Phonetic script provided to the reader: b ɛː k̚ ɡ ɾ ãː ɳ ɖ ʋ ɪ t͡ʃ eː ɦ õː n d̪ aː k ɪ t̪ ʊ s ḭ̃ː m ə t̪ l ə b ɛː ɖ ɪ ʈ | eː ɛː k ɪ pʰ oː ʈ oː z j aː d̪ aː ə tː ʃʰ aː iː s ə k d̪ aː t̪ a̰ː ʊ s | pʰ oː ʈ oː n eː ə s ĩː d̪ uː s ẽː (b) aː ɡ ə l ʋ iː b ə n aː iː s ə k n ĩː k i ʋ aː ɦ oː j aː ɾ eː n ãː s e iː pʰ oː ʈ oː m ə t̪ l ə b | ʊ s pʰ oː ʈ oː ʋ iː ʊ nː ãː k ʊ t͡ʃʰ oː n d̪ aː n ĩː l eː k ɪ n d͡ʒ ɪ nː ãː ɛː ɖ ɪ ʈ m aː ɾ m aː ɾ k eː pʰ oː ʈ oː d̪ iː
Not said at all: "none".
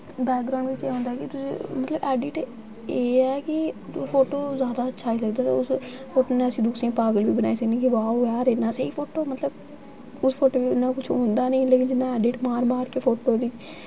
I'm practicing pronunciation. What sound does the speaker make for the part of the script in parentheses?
p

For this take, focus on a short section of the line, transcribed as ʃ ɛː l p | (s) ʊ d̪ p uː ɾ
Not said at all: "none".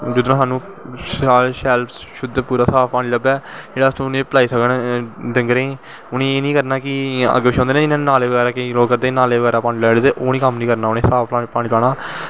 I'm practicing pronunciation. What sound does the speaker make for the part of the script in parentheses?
ʃ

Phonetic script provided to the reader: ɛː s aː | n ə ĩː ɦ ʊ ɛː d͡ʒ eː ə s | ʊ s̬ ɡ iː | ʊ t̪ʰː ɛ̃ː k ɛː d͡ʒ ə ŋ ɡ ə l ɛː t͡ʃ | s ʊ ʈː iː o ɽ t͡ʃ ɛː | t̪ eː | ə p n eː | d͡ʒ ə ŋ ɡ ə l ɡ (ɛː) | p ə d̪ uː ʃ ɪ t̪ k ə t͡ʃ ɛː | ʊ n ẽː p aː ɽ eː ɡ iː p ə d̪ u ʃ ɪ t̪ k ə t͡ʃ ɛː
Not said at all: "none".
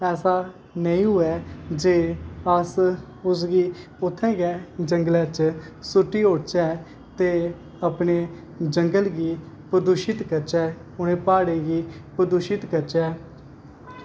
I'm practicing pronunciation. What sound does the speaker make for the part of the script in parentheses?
iː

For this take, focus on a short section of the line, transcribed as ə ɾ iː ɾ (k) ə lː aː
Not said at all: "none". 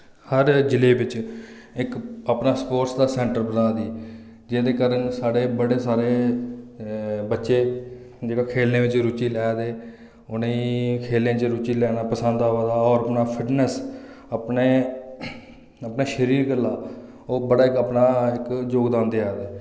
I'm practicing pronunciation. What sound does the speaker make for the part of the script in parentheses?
ɡ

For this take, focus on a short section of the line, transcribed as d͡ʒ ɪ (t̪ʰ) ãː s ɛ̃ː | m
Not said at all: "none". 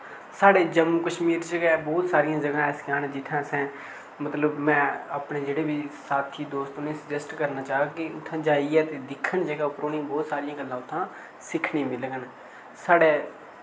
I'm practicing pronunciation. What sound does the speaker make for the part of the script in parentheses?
t̪ʰ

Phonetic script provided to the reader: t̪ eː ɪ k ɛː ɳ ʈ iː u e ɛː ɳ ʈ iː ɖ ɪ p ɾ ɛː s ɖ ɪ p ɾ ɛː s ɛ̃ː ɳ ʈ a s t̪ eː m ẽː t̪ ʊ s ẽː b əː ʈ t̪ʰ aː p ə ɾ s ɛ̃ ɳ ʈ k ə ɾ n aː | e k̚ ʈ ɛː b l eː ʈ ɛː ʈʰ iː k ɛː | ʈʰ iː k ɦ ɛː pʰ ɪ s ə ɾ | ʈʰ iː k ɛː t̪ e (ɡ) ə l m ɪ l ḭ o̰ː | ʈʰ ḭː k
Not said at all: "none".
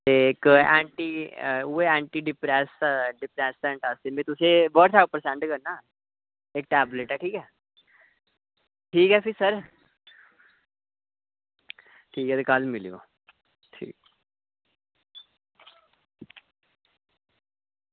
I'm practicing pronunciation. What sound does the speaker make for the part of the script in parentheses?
k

